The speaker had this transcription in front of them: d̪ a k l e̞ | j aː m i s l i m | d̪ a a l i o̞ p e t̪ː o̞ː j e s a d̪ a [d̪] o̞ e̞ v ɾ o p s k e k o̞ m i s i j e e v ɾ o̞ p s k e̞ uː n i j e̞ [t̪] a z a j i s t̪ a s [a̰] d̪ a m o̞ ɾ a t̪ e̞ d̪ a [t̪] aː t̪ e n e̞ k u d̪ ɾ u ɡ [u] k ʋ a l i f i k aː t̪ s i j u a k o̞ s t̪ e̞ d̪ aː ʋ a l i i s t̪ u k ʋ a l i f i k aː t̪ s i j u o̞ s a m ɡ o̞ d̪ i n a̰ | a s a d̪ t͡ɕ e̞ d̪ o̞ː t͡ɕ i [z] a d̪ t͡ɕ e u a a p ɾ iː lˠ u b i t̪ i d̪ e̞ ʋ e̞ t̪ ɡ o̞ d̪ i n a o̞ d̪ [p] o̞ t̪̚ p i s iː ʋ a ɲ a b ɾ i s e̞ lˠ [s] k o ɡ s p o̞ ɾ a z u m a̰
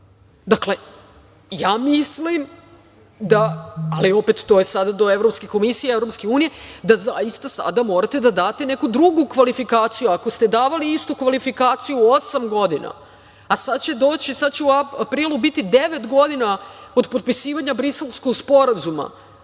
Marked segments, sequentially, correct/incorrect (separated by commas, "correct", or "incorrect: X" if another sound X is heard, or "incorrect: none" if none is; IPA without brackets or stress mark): correct, incorrect: d̪, correct, incorrect: d̪, correct, incorrect: s, correct, correct